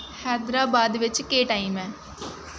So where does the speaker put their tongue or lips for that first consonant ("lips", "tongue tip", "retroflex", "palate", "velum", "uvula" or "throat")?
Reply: throat